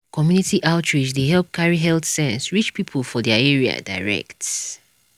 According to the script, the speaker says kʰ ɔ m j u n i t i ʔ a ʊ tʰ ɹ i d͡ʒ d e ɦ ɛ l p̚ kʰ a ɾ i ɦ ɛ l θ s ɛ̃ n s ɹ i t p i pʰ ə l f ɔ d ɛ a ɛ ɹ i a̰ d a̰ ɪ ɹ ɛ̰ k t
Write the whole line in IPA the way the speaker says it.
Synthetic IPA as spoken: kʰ ɔ m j u n i t i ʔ a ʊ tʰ ɹ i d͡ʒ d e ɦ ɛ l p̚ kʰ a ɹ i ɦ ɛ l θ s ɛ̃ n s ɹ i t͡ʃ p i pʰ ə l f ɔ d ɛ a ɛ ɹ i a̰ d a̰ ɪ ɹ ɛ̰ k t